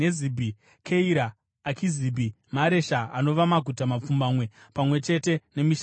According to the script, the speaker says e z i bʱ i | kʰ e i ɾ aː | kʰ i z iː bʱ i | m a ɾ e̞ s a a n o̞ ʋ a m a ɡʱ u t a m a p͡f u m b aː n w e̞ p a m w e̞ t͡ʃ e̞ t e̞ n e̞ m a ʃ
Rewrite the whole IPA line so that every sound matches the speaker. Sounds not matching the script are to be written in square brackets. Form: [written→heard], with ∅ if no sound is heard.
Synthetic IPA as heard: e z i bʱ i | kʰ e i ɾ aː | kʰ i z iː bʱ i | m a ɾ e̞ [s→ʃ] a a n o̞ ʋ a m a ɡʱ u t a m a p͡f u m b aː [n→m] w e̞ p a m w e̞ t͡ʃ e̞ t e̞ n e̞ m [a→i] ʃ